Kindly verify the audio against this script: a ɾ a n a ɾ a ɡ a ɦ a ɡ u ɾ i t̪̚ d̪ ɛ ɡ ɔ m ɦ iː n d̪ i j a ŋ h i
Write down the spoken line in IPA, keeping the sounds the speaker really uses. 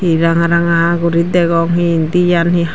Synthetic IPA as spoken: i ɾ a ŋ a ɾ a ŋ a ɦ a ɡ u ɾ i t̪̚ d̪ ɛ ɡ ɔ ŋ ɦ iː n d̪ i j a n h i